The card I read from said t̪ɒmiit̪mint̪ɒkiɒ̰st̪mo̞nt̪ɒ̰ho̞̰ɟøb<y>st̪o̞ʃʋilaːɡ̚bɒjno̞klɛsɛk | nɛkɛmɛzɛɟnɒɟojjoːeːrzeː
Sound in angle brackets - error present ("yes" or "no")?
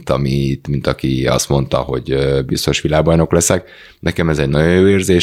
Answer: yes